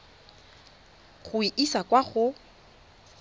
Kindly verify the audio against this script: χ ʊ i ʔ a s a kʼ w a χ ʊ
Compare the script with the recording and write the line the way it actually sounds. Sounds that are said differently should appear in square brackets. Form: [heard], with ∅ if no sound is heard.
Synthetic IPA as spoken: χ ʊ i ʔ [i] s a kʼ w a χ ʊ